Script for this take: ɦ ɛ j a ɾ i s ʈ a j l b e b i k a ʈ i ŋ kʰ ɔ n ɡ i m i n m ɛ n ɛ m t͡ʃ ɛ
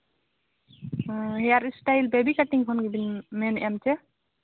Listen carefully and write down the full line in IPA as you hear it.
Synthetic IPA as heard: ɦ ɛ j a ɾ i s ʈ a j l b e b i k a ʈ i ŋ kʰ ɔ n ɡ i b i n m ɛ n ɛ m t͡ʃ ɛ